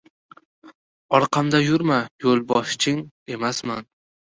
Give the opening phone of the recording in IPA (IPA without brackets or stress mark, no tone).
ɒ